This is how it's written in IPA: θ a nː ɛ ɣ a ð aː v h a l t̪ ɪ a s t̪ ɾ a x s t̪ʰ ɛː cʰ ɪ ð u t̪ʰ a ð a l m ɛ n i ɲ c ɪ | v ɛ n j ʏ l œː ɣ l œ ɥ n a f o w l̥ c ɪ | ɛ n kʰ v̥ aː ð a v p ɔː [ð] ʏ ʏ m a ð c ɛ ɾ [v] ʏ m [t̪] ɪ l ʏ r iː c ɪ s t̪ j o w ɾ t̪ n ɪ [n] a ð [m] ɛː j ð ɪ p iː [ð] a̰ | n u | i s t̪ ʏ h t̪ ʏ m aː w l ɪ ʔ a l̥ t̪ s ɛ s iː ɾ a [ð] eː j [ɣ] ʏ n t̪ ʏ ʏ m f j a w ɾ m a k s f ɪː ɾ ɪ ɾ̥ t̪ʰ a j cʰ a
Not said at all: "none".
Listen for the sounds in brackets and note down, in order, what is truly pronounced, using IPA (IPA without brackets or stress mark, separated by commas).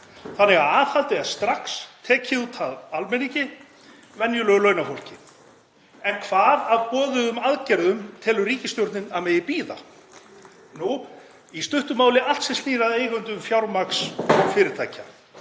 ð, ð, t̪ʰ, n, m, ð, ð, ɣ